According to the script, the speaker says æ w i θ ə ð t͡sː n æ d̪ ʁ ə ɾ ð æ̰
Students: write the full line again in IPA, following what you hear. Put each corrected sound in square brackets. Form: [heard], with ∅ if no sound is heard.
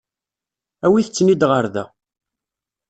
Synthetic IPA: æ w i θ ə [∅] t͡sː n [i] d̪ ʁ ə ɾ ð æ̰